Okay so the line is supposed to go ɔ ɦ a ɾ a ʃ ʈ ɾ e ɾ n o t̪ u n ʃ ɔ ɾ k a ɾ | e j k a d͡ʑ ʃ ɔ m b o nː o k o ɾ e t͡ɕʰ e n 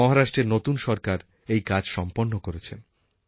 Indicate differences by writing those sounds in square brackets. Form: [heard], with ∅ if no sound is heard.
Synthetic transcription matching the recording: ɔ ɦ a ɾ a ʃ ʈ ɾ e ɾ n o t̪ u n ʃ ɔ ɾ k a ɾ | e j k a d͡ʑ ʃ ɔ m [p] o nː o k o ɾ e t͡ɕʰ e n